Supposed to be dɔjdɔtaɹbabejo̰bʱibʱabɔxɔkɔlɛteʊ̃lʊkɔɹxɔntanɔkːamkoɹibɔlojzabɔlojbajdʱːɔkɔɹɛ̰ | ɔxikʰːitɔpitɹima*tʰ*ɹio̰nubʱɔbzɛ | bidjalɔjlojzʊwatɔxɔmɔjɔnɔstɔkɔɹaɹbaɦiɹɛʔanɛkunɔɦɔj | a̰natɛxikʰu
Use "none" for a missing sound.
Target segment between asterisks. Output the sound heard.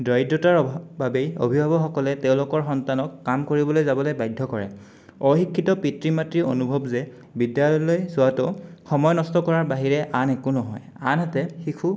t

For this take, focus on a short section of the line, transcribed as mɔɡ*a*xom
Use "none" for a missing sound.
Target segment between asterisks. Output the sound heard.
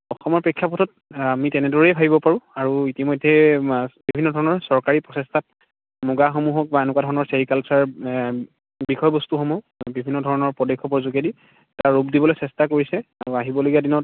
a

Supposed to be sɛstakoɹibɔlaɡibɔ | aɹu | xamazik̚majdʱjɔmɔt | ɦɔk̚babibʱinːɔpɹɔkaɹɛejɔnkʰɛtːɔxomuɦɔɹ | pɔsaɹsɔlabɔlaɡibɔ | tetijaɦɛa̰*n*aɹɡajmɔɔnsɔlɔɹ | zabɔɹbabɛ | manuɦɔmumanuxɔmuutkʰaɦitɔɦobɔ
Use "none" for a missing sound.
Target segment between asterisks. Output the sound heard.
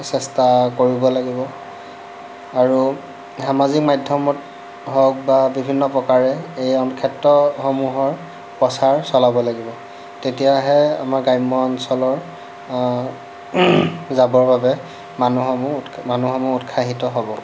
m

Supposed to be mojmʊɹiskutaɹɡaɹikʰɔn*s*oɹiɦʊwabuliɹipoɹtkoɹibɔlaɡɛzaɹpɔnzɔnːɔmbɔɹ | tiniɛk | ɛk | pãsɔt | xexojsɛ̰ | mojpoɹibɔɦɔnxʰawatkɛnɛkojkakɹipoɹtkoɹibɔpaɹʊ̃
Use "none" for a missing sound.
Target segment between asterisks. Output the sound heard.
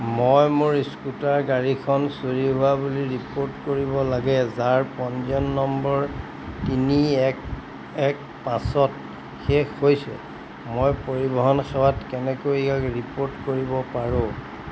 s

